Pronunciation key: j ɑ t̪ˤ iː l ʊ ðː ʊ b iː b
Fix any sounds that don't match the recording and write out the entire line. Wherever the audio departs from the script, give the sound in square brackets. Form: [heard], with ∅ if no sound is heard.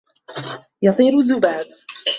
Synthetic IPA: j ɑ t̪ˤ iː [ɾ] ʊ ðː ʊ b [aː] b